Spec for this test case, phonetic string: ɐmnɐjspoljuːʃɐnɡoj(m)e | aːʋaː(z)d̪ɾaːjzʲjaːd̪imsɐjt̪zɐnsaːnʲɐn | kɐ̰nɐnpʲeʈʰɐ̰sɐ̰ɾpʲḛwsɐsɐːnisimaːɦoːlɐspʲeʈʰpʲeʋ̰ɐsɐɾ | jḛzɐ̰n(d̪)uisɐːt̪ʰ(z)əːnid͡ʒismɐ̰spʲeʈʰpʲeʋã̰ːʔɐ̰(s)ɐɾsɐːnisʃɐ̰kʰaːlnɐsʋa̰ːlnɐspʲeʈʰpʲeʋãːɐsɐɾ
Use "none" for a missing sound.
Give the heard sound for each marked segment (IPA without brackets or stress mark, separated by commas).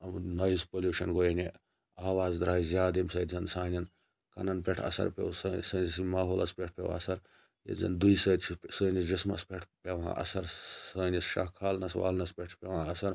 n, z, d̪, s, s